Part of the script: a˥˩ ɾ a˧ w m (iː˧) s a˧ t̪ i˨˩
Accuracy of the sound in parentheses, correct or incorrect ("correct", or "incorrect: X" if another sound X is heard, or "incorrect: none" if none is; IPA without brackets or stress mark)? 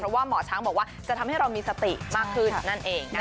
correct